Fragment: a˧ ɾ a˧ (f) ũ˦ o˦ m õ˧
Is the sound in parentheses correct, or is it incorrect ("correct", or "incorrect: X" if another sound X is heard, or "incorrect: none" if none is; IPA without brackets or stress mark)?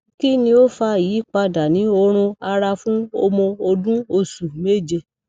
correct